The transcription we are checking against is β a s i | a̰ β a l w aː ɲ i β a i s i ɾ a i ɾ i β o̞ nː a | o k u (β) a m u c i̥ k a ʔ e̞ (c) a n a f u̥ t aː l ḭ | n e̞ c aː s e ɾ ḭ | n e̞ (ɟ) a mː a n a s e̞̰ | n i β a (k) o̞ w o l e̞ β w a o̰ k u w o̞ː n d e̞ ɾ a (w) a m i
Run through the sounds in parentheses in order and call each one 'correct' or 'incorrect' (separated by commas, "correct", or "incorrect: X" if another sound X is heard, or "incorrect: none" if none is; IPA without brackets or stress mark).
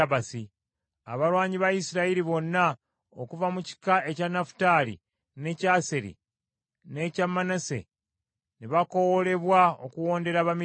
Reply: incorrect: v, correct, incorrect: c, correct, incorrect: β